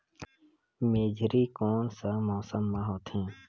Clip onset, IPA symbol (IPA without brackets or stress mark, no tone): m